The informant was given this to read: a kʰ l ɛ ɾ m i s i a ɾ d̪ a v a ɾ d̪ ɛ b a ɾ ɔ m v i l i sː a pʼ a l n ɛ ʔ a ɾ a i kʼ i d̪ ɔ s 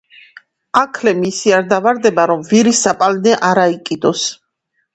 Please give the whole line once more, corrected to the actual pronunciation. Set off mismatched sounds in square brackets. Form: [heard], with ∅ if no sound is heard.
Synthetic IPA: a kʰ l ɛ [∅] m i s i a ɾ d̪ a v a ɾ d̪ ɛ b a ɾ ɔ m v i [ɾ] i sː a pʼ a l n ɛ ʔ a ɾ a i kʼ i d̪ ɔ s